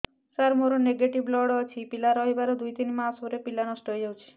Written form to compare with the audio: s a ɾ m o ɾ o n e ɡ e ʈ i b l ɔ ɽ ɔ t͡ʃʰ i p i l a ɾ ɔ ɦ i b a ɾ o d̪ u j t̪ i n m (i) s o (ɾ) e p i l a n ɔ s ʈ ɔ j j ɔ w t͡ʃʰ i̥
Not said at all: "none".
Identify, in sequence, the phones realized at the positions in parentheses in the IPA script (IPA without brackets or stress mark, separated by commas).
a, ɾ